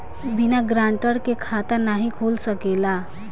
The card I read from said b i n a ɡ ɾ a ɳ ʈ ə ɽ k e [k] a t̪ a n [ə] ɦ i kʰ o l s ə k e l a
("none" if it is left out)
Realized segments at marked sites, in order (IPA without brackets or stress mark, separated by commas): kʰ, a